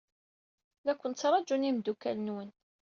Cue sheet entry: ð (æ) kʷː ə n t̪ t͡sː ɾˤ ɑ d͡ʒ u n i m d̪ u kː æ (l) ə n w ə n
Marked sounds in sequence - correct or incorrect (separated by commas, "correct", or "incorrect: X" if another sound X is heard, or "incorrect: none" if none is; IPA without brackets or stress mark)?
correct, correct